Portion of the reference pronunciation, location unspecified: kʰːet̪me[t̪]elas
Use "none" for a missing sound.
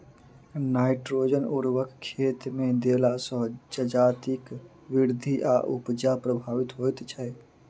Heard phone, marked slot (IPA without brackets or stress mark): d̪